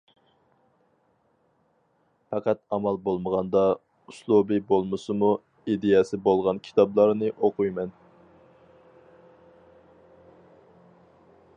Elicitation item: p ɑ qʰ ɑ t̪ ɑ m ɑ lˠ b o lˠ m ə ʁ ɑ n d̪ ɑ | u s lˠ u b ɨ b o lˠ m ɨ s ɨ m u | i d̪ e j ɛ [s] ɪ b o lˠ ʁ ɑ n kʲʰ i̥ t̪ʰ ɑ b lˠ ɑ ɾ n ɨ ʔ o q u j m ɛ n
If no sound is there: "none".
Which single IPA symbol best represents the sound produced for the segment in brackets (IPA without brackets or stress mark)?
s